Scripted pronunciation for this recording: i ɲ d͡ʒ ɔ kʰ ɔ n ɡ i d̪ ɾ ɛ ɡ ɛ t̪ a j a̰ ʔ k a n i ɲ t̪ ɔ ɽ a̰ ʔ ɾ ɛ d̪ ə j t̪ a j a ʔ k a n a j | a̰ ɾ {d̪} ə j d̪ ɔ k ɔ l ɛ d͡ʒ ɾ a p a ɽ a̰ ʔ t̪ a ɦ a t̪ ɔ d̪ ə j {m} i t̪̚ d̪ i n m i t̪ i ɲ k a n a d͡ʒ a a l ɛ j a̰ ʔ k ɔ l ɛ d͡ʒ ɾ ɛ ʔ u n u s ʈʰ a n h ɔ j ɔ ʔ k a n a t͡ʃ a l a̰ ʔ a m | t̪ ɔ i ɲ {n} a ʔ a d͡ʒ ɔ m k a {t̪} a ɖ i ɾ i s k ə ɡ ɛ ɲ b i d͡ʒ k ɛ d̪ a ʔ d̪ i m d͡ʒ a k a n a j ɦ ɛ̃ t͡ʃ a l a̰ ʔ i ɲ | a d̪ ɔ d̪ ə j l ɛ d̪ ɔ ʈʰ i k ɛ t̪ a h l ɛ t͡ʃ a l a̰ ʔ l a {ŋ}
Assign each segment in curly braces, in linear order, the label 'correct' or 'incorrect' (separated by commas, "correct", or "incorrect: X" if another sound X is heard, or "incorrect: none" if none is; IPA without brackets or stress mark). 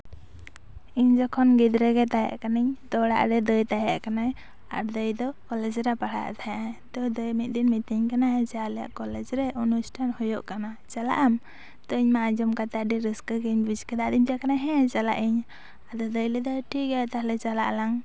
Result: correct, correct, incorrect: m, correct, correct